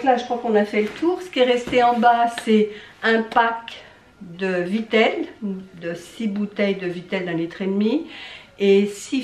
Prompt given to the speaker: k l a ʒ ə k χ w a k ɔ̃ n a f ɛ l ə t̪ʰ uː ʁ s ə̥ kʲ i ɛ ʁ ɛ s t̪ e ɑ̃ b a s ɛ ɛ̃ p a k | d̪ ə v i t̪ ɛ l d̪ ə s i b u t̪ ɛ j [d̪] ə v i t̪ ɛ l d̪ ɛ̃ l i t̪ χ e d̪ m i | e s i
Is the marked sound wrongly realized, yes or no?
no